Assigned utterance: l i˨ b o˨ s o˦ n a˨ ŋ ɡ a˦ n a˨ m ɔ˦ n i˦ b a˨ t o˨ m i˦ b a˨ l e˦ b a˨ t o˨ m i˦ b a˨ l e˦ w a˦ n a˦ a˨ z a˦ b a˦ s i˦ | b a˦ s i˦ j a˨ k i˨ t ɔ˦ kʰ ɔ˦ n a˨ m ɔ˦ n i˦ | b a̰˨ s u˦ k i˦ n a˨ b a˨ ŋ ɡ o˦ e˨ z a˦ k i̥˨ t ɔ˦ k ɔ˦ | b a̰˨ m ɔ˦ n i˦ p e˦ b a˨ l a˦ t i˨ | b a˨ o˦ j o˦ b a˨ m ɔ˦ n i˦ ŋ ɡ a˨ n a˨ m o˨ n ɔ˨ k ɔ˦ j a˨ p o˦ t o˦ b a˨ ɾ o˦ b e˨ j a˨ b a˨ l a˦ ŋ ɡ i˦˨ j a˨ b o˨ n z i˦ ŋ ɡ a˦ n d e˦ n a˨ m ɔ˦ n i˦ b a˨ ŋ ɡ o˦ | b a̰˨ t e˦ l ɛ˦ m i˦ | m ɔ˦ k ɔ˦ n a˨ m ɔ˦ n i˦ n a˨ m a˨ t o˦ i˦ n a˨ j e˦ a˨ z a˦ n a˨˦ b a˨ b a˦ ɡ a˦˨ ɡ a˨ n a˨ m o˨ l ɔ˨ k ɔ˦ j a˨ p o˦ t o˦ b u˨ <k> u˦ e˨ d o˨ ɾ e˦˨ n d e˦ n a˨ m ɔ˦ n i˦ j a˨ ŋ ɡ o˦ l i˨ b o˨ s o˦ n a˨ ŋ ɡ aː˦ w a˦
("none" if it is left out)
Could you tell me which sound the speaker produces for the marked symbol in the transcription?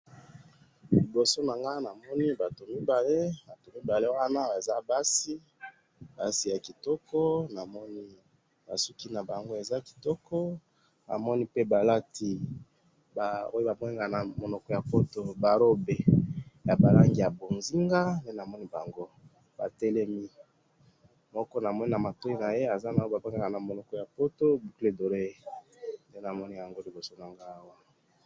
k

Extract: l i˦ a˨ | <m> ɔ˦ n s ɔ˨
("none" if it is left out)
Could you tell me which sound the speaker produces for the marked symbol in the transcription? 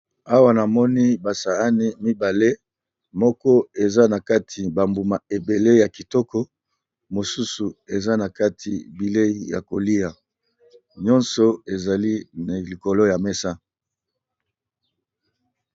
ɲ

